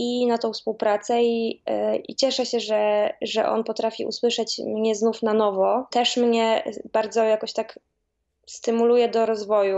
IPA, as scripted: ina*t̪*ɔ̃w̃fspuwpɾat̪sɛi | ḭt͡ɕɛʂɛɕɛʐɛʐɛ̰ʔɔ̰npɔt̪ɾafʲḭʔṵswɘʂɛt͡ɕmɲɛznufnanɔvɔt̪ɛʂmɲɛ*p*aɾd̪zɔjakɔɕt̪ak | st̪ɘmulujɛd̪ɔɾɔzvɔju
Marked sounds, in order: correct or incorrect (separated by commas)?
correct, incorrect